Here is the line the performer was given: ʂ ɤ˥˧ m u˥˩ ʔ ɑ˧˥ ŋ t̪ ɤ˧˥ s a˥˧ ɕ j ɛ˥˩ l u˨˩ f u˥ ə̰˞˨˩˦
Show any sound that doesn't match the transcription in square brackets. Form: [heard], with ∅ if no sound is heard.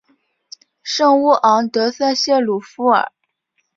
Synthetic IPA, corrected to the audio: ʂ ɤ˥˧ [ŋ] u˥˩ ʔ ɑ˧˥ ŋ t̪ ɤ˧˥ s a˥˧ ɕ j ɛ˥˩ l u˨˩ f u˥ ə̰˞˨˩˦